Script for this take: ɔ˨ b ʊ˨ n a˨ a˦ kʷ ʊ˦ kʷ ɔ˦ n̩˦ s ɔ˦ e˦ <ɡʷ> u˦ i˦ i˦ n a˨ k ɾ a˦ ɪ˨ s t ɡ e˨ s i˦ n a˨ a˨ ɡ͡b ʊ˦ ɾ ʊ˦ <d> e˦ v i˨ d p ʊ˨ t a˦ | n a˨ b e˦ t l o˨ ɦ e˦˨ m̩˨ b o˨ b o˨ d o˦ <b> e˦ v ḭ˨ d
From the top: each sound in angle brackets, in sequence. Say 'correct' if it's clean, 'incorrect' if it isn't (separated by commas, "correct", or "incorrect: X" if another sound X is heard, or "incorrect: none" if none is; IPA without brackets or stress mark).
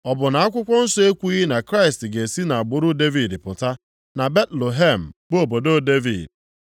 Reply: incorrect: kʷ, correct, incorrect: d